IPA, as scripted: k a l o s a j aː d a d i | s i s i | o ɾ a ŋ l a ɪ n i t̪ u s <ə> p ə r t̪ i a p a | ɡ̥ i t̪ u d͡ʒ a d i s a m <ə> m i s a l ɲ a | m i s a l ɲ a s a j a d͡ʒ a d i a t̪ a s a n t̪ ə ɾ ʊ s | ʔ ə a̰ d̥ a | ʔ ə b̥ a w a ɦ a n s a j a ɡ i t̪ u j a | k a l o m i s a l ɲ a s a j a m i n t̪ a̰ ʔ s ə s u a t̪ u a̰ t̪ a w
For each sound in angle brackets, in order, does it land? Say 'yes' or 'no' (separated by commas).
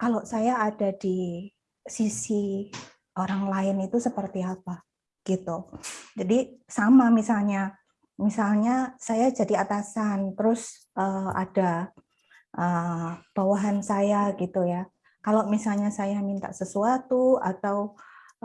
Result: yes, no